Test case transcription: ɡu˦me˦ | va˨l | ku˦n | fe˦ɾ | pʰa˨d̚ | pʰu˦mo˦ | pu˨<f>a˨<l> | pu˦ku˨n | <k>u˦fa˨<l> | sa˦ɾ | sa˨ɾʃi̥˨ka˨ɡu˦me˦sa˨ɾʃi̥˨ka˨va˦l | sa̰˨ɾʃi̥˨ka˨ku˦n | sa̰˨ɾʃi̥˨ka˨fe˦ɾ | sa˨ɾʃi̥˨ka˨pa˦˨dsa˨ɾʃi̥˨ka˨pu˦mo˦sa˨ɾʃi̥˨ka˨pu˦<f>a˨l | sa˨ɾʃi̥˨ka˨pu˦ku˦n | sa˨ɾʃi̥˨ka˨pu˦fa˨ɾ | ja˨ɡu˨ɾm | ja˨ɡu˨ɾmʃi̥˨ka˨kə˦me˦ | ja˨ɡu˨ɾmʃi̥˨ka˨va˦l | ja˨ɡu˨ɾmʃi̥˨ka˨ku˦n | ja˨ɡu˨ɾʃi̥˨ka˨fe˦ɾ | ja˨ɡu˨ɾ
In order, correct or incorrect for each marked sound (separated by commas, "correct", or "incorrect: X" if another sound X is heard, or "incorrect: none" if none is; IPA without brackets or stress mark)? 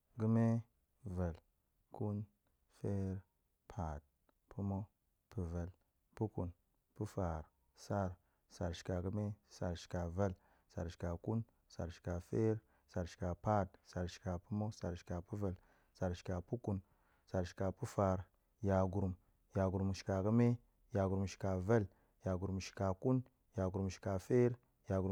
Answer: incorrect: v, correct, incorrect: p, incorrect: ɾ, incorrect: v